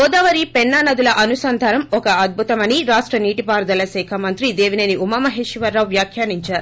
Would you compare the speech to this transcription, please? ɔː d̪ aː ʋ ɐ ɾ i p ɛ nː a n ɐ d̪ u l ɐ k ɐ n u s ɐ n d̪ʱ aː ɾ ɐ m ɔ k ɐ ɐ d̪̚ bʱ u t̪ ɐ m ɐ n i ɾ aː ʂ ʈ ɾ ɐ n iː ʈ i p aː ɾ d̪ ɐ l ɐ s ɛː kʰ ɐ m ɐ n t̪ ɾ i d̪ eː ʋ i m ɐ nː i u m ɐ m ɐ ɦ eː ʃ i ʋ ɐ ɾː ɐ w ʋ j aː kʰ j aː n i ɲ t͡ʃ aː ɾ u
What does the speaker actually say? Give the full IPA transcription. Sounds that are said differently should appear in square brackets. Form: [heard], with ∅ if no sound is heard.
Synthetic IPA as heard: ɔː d̪ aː ʋ ɐ ɾ i p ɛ nː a n ɐ d̪ u l ɐ [ʔ] ɐ n u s ɐ n d̪ʱ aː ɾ ɐ m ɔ k ɐ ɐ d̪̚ bʱ u t̪ ɐ m ɐ n i ɾ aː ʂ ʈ ɾ ɐ n iː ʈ i p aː ɾ d̪ ɐ l ɐ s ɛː kʰ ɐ m ɐ n t̪ ɾ i d̪ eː ʋ i [n] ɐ [n] i u m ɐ m ɐ ɦ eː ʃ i ʋ ɐ ɾː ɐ w ʋ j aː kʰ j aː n i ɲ t͡ʃ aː ɾ u